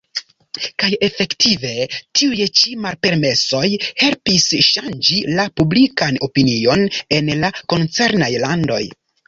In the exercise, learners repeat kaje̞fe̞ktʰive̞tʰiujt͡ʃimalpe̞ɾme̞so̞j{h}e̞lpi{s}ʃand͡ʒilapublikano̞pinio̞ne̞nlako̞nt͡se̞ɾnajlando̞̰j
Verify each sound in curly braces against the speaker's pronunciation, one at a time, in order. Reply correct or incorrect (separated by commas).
correct, correct